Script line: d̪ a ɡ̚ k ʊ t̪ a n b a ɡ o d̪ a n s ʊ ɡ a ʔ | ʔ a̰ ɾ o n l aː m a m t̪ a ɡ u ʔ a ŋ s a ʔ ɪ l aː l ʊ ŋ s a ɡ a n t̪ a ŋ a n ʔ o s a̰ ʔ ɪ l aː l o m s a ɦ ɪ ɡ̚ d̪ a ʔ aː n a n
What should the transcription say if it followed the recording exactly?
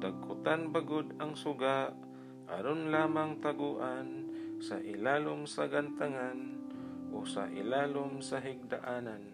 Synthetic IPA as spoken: d̪ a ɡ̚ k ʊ t̪ a n b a ɡ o d̪ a ŋ s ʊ ɡ a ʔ | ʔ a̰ ɾ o n l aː m a ŋ t̪ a ɡ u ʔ a n s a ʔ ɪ l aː l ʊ m s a ɡ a n t̪ a ŋ a n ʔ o s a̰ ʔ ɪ l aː l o m s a ɦ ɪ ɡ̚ d̪ a ʔ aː n a n